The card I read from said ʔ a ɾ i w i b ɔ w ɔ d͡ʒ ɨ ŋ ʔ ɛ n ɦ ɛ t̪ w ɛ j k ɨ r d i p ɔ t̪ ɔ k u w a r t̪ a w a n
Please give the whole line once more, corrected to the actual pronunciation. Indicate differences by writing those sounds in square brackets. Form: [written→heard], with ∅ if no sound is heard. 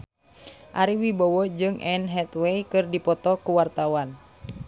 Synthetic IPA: ʔ a ɾ i w i b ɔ w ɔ d͡ʒ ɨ ŋ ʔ ɛ n ɦ ɛ t̪ w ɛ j k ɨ r d i p ɔ t̪ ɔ k u w a r t̪ a w a n